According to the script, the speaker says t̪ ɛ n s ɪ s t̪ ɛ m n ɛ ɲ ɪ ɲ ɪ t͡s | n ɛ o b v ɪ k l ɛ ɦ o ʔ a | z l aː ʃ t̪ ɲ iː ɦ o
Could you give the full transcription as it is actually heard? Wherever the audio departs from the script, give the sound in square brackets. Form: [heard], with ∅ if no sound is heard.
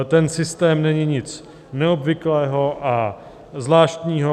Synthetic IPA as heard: t̪ ɛ n s ɪ s t̪ [ɛː] m n ɛ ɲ ɪ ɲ ɪ t͡s | n ɛ o b v ɪ k l [ɛː] ɦ o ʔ a | z l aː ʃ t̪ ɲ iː ɦ o